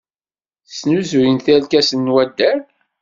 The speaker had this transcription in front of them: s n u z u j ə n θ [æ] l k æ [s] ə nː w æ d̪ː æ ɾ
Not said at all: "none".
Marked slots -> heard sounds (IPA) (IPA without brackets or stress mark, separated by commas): æ, s